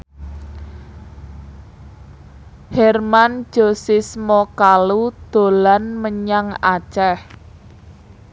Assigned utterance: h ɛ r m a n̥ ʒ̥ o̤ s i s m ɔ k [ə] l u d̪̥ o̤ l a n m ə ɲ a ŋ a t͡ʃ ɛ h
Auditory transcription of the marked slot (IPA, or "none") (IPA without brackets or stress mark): a